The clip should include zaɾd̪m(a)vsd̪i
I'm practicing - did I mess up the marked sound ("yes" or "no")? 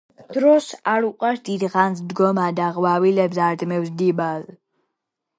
yes